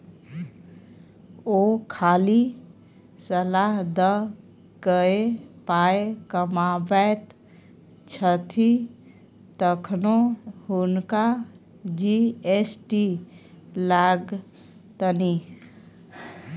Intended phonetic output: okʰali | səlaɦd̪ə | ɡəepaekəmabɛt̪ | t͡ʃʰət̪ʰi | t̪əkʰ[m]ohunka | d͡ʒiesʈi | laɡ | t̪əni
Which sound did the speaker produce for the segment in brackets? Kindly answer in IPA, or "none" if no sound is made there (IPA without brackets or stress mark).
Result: n